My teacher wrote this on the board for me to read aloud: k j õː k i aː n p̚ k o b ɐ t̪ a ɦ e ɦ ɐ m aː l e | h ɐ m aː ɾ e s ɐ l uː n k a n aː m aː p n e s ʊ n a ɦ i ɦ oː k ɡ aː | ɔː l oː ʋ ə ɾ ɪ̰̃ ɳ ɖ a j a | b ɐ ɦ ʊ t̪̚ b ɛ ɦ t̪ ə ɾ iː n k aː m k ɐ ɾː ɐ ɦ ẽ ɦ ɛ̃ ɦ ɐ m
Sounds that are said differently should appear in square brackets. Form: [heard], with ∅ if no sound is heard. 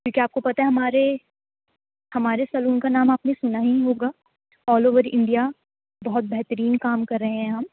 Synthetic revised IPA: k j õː k i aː [∅] p̚ k o [p] ɐ t̪ a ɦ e ɦ ɐ m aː [ɾ] e | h ɐ m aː ɾ e s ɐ l uː n k a n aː m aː p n e s ʊ n a ɦ i ɦ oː [∅] ɡ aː | ɔː l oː ʋ ə ɾ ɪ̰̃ ɳ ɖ [i] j a | b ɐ ɦ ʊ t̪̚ b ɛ ɦ t̪ ə ɾ iː n k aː m k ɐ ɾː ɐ ɦ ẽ ɦ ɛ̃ ɦ ɐ m